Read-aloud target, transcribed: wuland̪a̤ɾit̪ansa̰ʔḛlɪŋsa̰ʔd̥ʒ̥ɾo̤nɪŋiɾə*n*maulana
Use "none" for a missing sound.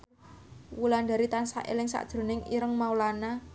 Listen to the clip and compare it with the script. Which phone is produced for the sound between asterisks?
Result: ŋ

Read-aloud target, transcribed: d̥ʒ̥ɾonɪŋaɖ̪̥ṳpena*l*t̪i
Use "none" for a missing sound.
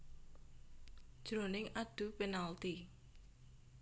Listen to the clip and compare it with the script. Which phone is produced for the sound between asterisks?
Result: l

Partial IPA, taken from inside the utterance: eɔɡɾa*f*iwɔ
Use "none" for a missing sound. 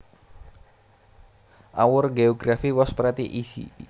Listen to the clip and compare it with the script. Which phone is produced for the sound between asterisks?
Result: f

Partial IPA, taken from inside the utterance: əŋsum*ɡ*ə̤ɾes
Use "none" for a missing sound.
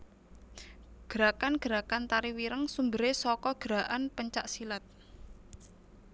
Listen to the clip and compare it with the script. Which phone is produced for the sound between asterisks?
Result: b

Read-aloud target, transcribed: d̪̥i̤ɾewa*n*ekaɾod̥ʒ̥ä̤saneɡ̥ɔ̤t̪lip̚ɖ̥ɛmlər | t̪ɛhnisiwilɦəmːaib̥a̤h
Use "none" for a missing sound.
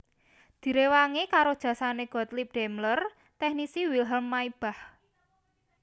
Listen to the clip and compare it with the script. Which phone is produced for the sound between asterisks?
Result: ŋ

